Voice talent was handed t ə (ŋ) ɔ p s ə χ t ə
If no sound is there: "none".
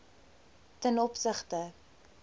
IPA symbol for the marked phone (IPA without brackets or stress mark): n